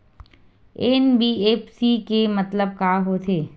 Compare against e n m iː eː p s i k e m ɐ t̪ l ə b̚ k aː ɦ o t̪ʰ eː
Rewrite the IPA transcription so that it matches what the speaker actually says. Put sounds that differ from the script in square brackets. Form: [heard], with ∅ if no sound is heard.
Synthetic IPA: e n [b] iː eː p s i k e m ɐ t̪ l ə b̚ k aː ɦ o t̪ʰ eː